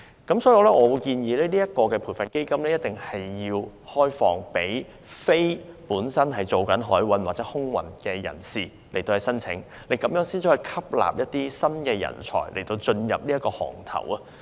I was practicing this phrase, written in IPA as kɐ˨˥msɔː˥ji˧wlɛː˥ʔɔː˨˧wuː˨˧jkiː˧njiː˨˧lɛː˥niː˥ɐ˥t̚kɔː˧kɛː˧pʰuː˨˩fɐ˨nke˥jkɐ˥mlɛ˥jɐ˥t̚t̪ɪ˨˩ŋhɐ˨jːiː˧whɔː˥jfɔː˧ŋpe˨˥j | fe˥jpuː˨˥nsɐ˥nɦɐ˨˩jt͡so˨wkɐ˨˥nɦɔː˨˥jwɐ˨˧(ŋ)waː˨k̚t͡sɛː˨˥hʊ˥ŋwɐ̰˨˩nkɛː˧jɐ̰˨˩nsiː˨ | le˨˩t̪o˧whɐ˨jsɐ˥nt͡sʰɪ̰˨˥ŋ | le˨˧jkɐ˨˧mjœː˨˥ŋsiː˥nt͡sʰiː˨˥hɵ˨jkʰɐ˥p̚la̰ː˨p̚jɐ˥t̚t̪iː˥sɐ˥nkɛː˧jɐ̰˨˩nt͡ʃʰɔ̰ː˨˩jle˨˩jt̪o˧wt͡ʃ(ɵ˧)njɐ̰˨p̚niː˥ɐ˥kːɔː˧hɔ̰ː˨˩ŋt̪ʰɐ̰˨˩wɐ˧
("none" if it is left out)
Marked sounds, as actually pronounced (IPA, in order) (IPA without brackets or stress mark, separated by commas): n, ɵ˧